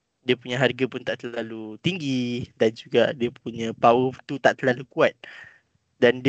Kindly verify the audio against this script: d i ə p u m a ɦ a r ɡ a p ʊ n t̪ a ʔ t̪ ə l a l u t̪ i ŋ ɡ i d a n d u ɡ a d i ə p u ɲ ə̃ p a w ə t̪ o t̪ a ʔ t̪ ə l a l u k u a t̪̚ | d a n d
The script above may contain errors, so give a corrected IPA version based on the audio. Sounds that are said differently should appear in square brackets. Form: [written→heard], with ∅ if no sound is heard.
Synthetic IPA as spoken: d i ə p u [m→ɲ] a ɦ a r ɡ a p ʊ n t̪ a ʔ t̪ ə l a l u t̪ i ŋ ɡ i d a n [d→d͡ʒ] u ɡ a d i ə p u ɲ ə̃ p a w ə t̪ [o→u] t̪ a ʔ t̪ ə l a l u k u a t̪̚ | d a n d